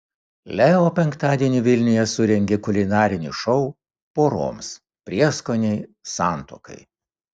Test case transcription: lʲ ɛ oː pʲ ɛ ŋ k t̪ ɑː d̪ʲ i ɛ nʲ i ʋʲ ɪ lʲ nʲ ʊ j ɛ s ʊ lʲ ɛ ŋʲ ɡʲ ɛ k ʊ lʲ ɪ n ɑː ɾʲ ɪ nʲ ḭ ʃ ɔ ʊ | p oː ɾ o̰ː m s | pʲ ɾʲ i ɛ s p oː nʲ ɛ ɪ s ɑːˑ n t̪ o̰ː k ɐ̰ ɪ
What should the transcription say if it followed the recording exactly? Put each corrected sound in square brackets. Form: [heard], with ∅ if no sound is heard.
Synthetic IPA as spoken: lʲ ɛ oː pʲ ɛ ŋ k t̪ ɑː d̪ʲ i ɛ nʲ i ʋʲ ɪ lʲ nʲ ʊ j ɛ s ʊ [ɾʲ] ɛ ŋʲ ɡʲ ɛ k ʊ lʲ ɪ n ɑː ɾʲ ɪ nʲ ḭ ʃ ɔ ʊ | p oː ɾ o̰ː m s | pʲ ɾʲ i ɛ s [k] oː nʲ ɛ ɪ s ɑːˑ n t̪ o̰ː k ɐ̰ ɪ